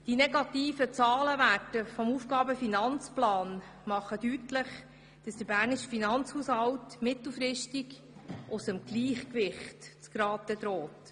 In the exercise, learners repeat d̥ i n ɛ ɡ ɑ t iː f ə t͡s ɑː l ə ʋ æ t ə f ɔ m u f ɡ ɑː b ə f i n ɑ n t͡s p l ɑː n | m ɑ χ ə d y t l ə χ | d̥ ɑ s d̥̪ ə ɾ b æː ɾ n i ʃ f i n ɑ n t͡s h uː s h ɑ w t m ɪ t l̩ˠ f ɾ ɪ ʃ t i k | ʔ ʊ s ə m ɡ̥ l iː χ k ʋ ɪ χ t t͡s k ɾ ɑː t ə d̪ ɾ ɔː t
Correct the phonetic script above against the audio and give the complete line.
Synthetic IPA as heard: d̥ i n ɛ ɡ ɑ t iː f ə t͡s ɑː l ə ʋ æ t ə f ɔ m u f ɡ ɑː b ə f i n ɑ n t͡s p l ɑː n | m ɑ χ ə d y t l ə χ | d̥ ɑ s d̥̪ ə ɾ b æː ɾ n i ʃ f i n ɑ n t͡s h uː s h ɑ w t m ɪ t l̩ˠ f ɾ ɪ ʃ t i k | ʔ ʊ s ə m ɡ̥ l iː χ k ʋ ɪ χ t t͡s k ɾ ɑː t ə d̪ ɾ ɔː t